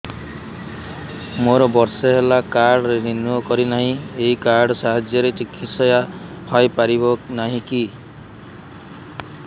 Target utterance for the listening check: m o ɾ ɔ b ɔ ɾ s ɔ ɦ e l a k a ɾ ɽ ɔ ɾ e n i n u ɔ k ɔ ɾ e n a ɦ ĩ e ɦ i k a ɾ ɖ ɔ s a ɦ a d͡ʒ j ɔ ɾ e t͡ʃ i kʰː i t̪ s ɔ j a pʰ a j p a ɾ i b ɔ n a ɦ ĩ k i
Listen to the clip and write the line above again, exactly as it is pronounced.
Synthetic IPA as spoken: m o ɾ ɔ b ɔ ɾ s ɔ ɦ e l a k a ɾ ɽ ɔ ɾ e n i n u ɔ k ɔ ɾ i n a ɦ ĩ e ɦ i k a ɾ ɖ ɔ s a ɦ a d͡ʒ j ɔ ɾ e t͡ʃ i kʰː i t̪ s ɔ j a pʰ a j p a ɾ i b ɔ n a ɦ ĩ k i